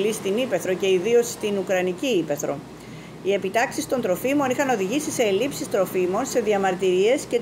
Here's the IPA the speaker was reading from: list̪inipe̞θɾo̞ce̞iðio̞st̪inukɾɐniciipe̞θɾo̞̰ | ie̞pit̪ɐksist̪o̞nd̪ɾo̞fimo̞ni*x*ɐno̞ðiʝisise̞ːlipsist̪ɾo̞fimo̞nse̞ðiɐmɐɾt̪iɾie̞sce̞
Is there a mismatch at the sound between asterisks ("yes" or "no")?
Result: no